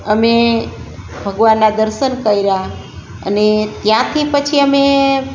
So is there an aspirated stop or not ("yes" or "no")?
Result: yes